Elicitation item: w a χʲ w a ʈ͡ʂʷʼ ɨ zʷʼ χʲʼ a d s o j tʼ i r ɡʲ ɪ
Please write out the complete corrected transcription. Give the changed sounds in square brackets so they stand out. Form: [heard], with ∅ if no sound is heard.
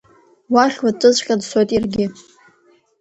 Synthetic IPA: w a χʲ w a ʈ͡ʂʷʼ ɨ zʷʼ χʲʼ a d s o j tʼ i r ɡʲ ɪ